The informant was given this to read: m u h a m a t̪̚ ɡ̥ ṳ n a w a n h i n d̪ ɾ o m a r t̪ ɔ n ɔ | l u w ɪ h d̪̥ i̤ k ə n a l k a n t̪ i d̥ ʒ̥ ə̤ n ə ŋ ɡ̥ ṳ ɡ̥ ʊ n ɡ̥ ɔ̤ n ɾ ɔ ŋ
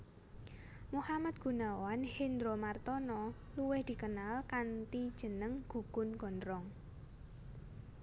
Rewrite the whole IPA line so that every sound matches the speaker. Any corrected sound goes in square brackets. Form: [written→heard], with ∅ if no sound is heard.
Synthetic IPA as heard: m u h a m a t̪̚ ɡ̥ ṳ n a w a n h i n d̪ ɾ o m a r t̪ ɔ n ɔ | l u w ɪ h d̪̥ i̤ k ə n a l k a n t̪ i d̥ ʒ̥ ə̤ n ə ŋ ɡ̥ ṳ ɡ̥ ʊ n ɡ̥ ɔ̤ n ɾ ɔ ŋ